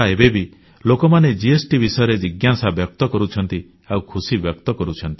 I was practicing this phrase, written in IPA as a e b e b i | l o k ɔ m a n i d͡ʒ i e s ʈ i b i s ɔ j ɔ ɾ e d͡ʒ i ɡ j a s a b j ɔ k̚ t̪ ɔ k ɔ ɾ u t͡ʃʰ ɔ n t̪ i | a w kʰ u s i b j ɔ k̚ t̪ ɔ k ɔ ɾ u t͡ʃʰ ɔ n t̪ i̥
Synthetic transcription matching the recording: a e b e b i | l o k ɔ m a n e d͡ʒ i e s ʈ i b i s ɔ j ɔ ɾ e d͡ʒ i ɡ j a s a b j ɔ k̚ t̪ ɔ k ɔ ɾ u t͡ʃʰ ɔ n t̪ i | a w kʰ u s i b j ɔ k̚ t̪ ɔ k ɔ ɾ u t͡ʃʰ ɔ n t̪ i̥